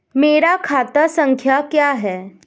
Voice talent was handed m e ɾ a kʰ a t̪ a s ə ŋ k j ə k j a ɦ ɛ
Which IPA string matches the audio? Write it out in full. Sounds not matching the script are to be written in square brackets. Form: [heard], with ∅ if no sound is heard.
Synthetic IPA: m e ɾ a kʰ a t̪ a s ə ŋ [kʰ] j [a] k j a ɦ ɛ